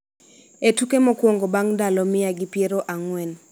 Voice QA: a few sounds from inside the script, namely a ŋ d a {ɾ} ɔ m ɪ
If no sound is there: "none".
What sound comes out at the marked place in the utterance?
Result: l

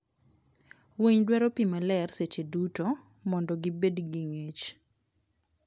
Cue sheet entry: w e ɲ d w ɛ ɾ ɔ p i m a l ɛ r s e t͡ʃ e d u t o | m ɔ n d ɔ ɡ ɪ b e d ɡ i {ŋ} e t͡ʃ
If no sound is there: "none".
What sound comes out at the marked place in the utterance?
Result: ŋ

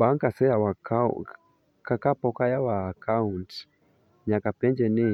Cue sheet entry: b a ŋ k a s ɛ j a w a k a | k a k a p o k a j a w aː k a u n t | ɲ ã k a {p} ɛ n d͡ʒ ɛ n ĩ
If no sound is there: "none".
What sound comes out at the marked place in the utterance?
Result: p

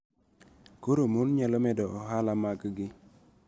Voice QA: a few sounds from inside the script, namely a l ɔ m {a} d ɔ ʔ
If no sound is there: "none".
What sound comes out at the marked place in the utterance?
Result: ɛ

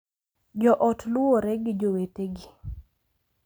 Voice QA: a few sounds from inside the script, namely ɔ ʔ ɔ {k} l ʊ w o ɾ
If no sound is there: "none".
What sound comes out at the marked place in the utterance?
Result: t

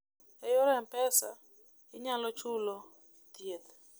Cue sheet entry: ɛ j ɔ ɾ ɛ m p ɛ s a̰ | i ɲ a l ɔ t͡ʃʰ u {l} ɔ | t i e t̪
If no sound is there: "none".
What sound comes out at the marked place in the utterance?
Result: l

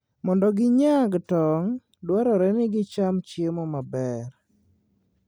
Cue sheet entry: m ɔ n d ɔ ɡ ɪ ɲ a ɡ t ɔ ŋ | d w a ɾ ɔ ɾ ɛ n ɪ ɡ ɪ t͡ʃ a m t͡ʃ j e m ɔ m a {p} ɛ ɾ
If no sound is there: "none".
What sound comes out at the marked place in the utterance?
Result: b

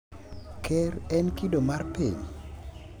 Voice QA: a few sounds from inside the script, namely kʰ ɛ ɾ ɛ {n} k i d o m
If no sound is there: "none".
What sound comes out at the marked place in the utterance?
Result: n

